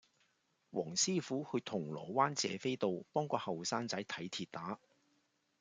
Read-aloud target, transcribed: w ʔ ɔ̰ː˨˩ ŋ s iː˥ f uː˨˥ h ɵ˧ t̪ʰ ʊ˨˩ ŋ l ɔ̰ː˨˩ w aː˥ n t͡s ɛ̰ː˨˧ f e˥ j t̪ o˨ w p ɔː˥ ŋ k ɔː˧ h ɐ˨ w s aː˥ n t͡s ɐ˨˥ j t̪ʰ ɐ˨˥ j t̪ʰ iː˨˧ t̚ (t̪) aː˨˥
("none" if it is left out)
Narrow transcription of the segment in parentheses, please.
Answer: t̪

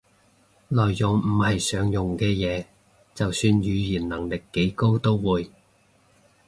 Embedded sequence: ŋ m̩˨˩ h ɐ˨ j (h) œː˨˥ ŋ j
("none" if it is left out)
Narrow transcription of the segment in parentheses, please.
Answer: s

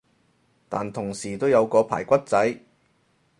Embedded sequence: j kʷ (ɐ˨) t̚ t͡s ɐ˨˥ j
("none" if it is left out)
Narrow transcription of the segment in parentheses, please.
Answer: ɐ˥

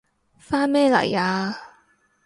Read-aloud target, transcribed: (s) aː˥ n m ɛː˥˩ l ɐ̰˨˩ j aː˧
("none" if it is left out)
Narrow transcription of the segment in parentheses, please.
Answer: f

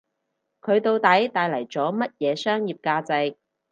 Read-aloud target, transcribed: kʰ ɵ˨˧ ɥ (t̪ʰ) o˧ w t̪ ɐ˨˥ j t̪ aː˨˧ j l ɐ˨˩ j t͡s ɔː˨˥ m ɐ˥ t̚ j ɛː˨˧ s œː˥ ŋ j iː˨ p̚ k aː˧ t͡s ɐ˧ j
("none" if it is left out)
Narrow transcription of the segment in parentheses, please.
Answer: t̪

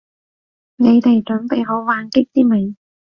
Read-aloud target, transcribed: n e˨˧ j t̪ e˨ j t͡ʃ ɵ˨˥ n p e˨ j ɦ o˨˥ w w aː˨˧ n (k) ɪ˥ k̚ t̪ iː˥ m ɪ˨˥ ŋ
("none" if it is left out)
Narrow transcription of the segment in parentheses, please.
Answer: k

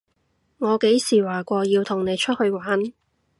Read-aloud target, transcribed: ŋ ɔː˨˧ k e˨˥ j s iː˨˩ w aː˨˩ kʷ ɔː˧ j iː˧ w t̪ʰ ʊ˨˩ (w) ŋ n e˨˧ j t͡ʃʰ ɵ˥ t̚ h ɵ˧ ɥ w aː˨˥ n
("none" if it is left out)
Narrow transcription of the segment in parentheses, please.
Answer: none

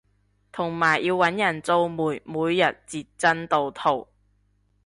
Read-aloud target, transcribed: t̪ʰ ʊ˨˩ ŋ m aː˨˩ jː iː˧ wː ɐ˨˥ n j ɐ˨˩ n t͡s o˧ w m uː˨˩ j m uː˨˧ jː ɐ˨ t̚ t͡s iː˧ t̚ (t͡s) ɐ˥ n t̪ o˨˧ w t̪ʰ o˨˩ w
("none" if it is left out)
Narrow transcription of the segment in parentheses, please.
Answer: t͡s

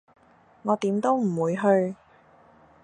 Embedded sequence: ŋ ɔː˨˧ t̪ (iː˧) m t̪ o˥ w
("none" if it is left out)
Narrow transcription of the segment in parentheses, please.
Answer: iː˨˥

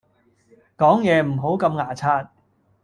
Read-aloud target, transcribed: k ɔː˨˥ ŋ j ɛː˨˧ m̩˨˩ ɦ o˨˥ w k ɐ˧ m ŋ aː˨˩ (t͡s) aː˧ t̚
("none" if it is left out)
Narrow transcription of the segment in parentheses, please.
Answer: t͡sʰ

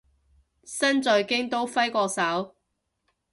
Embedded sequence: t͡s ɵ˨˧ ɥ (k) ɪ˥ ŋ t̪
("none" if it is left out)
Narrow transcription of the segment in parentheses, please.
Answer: k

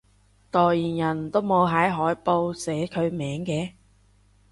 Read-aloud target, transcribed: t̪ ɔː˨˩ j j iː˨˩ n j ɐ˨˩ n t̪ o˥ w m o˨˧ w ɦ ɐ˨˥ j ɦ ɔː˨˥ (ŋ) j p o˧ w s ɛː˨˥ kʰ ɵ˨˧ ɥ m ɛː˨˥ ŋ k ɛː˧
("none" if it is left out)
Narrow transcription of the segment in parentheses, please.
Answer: none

